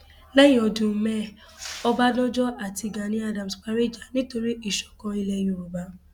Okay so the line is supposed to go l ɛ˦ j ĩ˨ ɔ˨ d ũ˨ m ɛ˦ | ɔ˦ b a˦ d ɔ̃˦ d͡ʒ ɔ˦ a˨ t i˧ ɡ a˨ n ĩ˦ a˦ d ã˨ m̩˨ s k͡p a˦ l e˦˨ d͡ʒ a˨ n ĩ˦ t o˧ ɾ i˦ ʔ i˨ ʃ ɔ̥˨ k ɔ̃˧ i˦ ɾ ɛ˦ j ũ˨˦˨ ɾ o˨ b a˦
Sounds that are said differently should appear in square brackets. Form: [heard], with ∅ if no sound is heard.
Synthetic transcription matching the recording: l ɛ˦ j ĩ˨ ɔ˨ d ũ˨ m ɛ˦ | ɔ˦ b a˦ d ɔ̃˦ d͡ʒ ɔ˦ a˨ t i˧ ɡ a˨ n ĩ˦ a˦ d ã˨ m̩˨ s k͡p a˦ [ɾ] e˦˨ d͡ʒ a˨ n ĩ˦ t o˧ ɾ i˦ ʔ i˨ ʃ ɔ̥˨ k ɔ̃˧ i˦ [l] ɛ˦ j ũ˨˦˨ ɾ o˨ b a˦